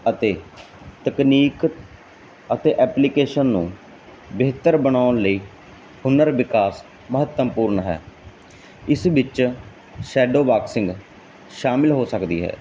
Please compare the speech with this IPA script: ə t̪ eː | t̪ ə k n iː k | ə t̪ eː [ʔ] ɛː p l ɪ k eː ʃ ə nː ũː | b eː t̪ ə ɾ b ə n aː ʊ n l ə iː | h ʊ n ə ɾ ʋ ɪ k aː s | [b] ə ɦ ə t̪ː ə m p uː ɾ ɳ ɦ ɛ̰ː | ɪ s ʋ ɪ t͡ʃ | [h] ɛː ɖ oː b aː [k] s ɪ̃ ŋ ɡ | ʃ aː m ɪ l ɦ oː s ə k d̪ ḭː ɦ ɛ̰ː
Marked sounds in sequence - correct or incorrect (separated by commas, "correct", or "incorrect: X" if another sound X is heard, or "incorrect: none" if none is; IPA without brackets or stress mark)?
correct, incorrect: m, incorrect: ʃ, correct